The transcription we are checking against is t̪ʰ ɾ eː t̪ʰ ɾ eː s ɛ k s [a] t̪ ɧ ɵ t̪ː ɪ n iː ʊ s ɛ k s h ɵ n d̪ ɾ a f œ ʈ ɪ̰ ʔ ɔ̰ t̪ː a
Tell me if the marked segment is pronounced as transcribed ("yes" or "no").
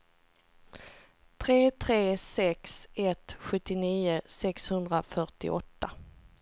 no